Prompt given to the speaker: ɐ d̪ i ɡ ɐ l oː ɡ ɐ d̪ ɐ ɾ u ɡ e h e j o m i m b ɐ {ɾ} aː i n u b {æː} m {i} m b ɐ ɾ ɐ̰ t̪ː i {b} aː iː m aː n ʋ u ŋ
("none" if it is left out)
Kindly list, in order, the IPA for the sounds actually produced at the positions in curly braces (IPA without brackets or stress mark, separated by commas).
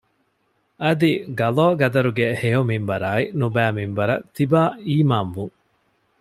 ɾ, æː, i, b